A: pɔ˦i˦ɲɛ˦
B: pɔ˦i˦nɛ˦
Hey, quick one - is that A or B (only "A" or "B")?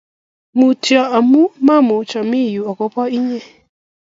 A